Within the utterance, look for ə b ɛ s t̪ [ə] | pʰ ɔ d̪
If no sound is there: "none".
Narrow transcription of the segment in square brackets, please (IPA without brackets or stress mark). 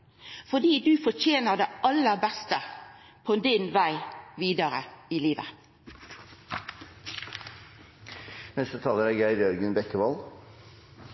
ə